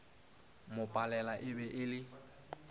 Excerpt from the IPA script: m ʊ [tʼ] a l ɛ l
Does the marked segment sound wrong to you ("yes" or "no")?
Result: yes